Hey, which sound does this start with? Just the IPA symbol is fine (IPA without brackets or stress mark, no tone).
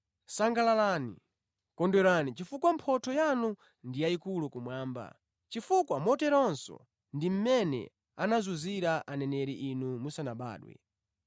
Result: s